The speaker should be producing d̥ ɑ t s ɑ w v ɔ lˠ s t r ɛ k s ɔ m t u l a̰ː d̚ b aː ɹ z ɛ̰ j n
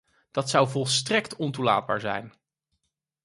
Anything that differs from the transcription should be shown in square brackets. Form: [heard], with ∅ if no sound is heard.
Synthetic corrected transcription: d̥ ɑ t s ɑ w v ɔ lˠ s t r ɛ k [t] ɔ [n] t u l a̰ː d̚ b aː ɹ z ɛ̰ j n

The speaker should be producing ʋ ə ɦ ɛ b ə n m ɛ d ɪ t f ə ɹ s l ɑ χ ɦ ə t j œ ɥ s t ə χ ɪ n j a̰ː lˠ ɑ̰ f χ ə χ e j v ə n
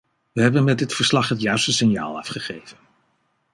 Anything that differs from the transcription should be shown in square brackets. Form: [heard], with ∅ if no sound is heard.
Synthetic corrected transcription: ʋ ə ɦ ɛ b ə n m ɛ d ɪ t f ə ɹ s l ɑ χ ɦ ə t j œ ɥ s t ə [s] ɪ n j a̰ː lˠ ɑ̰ f χ ə χ e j v ə n

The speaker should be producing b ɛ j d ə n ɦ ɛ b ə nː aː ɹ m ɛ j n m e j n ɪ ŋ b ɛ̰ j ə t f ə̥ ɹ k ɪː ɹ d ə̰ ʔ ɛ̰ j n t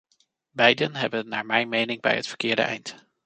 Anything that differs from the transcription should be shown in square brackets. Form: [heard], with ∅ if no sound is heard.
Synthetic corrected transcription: b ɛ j d ə n ɦ ɛ b ə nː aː ɹ m ɛ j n m e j n ɪ ŋ b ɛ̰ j ə t f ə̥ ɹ k ɪː ɹ d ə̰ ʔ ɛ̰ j n t

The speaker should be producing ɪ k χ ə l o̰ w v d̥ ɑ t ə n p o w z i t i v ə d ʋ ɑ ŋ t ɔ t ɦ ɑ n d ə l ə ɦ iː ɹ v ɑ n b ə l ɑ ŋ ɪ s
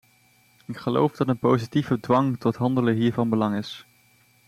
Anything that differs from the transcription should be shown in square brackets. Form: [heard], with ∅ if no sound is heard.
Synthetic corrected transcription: ɪ k χ ə l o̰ w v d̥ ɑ t ə n p o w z i t i v ə d ʋ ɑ ŋ t ɔ t ɦ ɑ n d ə l ə ɦ iː ɹ v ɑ n b ə l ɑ ŋ ɪ s

